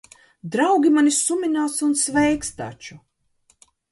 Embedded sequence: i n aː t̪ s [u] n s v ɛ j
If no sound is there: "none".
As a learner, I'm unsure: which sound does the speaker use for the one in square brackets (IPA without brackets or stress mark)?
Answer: u